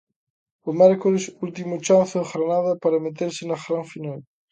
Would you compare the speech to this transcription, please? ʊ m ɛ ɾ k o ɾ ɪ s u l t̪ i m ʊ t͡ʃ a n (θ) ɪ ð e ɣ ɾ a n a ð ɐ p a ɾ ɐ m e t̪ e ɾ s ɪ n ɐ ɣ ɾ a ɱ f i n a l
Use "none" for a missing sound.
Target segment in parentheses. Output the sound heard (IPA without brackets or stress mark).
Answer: θ